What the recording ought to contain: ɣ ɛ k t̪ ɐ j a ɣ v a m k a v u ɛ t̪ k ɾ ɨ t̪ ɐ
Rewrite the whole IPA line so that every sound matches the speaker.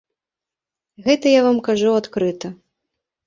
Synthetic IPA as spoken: ɣ ɛ t̪ ɐ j a v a m k a ʐ u a t̪ k ɾ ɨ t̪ ɐ